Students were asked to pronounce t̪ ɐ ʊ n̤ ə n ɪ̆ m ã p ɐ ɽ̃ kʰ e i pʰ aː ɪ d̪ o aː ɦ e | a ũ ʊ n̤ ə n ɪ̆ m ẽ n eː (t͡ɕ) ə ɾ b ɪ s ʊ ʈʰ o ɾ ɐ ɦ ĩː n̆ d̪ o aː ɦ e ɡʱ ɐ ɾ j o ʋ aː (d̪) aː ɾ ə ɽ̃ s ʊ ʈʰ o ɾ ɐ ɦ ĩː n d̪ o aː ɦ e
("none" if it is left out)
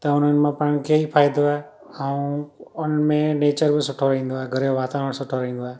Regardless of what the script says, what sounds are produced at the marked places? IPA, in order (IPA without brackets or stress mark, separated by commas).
t͡ɕ, t̪